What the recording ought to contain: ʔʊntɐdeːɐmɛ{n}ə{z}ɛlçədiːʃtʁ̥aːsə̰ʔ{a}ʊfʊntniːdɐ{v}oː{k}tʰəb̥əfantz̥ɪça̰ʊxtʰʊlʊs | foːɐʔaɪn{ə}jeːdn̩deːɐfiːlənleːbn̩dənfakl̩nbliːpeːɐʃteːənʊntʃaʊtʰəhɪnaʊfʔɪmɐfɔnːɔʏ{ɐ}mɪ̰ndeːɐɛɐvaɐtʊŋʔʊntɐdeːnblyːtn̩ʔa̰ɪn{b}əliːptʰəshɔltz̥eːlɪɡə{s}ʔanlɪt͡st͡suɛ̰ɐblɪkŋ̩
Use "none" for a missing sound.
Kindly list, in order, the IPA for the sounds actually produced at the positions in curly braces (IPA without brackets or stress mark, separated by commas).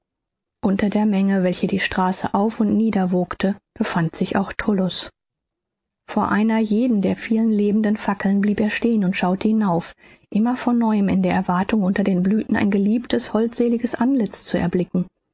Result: ŋ, v, a, v, k, ɐ, ə, ɡ, s